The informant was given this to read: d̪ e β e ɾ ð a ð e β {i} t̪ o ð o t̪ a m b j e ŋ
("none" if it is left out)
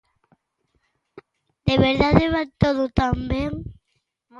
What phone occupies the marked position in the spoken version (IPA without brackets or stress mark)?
a